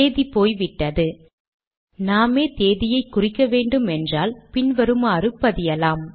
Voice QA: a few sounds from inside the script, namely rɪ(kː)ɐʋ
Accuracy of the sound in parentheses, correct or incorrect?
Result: correct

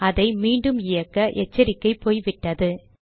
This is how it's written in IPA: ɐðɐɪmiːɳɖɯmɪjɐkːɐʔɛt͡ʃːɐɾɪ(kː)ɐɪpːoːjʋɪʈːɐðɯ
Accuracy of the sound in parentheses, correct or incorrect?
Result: correct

